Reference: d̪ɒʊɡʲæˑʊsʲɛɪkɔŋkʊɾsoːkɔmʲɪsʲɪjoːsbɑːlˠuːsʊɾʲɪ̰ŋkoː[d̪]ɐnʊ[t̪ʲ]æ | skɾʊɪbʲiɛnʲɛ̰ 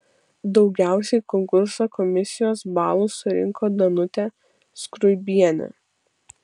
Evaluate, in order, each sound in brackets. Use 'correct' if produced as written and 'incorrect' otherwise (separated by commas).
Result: correct, correct